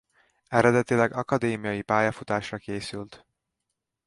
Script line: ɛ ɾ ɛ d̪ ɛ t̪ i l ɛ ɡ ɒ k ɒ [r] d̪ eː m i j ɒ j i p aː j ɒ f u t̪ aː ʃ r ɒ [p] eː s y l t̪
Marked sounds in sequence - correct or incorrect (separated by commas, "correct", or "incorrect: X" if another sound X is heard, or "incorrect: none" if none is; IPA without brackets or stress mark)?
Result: incorrect: none, incorrect: k